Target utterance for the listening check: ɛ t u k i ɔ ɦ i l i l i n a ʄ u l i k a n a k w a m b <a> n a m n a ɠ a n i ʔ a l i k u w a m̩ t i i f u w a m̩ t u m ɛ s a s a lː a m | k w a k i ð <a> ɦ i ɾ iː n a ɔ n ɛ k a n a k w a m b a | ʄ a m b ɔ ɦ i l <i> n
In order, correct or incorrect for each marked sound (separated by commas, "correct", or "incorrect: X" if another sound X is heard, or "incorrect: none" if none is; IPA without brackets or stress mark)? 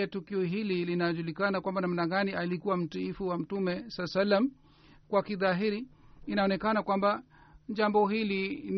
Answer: correct, correct, correct